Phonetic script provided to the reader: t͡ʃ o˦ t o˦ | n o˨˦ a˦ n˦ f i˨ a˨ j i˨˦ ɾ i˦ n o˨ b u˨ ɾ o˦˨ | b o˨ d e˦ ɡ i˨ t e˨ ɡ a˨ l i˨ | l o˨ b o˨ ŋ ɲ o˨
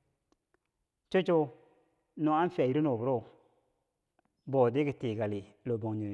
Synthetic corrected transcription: t͡ʃ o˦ t͡ʃ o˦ | n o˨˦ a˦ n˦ f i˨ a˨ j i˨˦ ɾ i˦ n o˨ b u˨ ɾ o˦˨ | b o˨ d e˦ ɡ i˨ t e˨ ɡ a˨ l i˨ | l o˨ b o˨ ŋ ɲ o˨